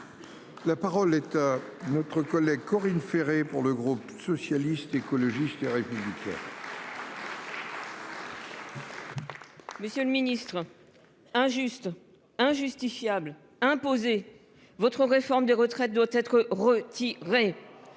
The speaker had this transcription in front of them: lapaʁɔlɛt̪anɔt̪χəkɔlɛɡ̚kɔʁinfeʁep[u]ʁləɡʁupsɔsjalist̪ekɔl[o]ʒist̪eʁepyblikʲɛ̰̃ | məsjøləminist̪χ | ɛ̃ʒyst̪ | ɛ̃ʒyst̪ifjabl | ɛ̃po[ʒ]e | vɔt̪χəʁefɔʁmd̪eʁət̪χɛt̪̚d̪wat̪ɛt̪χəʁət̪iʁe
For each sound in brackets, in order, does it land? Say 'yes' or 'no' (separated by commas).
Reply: yes, no, no